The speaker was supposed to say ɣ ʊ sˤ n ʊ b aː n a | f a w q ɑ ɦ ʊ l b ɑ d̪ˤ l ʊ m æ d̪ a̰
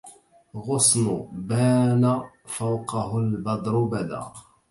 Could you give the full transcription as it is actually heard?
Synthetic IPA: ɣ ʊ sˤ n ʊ b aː n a | f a w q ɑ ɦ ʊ l b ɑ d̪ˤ ɾ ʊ b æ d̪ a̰